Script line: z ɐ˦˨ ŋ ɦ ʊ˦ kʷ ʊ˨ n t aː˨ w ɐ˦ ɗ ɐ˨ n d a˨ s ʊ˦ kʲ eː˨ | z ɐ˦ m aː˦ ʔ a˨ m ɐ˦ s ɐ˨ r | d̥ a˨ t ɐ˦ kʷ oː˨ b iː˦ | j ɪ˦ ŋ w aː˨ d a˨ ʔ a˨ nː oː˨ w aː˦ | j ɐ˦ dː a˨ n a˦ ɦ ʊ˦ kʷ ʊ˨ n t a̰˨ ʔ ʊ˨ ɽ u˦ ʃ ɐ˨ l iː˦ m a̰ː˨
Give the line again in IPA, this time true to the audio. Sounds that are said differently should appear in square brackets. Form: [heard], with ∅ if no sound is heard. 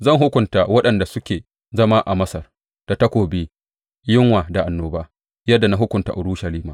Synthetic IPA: z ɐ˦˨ ŋ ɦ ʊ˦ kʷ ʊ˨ n t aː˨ w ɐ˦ ɗ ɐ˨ n d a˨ s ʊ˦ kʲ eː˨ | z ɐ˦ m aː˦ ʔ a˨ m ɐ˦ s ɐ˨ r | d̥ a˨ t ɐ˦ kʷ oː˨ b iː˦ | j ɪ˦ ŋ w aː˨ d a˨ ʔ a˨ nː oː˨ [b] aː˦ | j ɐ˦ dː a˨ n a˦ ɦ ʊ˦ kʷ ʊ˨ n t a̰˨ ʔ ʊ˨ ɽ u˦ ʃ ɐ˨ l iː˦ m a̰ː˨